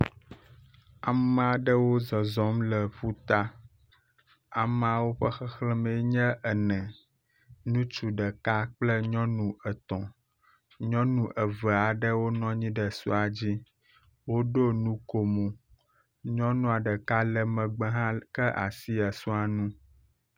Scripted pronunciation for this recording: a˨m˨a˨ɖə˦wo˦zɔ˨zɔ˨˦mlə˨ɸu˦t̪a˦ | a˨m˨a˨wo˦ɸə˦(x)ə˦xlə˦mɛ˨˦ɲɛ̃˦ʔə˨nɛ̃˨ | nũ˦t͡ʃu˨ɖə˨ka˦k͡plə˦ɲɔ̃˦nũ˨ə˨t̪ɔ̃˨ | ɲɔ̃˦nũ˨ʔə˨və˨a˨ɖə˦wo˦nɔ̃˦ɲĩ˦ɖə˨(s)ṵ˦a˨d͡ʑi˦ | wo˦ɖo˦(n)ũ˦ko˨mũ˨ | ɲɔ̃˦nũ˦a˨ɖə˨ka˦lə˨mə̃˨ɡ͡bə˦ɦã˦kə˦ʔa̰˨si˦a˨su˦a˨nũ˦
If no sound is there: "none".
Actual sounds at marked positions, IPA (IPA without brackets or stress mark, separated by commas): x, s, n